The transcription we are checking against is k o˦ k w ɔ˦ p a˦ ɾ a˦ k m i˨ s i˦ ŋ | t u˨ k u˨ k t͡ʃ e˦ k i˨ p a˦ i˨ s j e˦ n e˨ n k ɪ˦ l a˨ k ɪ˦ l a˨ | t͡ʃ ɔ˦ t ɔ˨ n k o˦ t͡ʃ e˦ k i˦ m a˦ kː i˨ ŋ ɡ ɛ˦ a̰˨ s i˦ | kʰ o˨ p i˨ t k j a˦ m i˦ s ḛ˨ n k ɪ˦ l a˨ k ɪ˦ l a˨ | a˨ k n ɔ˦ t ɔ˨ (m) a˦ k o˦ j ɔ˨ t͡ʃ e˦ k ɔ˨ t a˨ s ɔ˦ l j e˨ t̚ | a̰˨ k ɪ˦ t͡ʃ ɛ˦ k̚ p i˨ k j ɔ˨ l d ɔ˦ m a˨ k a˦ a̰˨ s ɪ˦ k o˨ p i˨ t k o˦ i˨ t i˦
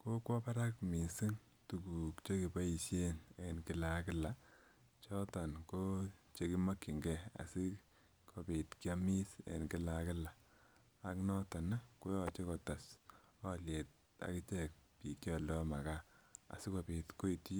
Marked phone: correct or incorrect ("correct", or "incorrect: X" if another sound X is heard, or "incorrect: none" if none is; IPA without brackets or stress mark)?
incorrect: n